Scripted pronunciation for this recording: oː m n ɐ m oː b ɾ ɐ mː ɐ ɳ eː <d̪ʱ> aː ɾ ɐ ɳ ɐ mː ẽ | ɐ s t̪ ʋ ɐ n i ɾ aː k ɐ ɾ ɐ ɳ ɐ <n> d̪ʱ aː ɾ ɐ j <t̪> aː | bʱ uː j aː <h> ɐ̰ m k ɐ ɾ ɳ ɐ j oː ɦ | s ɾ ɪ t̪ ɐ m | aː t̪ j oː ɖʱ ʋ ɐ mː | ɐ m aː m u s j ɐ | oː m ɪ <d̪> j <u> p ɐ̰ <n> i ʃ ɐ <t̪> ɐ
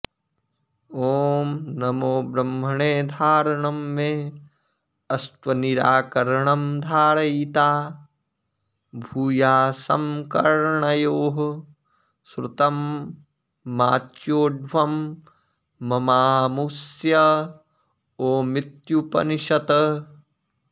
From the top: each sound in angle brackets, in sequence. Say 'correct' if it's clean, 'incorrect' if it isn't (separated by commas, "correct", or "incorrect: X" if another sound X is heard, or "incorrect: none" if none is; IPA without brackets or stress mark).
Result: correct, incorrect: m, correct, incorrect: s, incorrect: t̪, correct, correct, correct